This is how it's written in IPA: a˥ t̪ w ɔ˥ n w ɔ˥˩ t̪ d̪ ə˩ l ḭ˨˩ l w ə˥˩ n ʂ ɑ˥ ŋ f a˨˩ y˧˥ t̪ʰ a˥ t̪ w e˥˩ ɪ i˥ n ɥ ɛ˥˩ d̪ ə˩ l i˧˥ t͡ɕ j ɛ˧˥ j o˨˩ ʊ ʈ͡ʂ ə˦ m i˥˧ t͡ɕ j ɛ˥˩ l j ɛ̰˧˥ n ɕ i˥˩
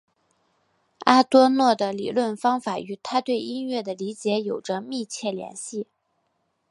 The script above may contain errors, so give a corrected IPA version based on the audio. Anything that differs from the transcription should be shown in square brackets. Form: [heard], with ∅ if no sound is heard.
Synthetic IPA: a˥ t̪ w ɔ˥ n w ɔ˥˩ [∅] d̪ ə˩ l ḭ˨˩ l w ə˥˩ n [f] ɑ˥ ŋ f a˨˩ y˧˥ t̪ʰ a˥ t̪ w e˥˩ ɪ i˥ n ɥ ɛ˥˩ d̪ ə˩ l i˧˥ t͡ɕ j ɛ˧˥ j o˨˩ ʊ ʈ͡ʂ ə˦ m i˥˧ [t͡ɕʰ] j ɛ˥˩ l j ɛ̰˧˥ n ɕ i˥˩